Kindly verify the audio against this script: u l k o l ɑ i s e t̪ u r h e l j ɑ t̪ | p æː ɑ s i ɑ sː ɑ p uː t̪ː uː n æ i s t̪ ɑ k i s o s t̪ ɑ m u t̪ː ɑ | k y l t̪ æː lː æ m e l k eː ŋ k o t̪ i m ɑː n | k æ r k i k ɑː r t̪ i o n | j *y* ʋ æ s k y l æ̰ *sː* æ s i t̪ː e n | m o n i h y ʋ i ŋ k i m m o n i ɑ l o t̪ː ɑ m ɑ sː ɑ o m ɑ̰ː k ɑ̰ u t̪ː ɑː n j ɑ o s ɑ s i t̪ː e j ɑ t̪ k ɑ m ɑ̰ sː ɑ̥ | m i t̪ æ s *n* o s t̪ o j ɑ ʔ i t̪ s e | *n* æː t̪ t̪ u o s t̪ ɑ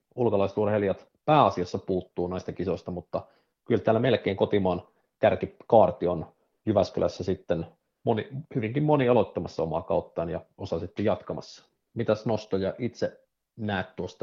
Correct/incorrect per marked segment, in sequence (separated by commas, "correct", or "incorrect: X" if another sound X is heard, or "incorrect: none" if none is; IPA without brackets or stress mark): correct, correct, correct, correct